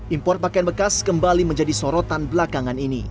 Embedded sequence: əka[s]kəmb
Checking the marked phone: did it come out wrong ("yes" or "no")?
no